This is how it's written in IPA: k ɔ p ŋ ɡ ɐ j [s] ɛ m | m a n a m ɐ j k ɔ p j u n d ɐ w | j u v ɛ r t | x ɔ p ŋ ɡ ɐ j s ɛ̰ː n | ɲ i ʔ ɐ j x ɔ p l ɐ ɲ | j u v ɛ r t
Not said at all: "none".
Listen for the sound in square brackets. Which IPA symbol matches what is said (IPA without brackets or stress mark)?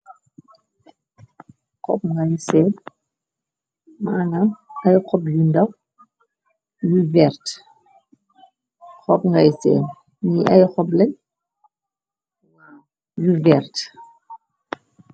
s